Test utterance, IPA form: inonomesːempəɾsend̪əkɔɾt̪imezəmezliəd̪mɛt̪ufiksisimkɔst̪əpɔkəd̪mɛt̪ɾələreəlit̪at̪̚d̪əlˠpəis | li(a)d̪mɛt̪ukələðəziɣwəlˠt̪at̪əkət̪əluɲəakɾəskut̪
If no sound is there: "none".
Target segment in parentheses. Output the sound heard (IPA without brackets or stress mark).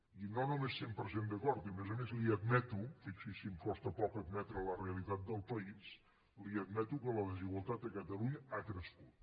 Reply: ə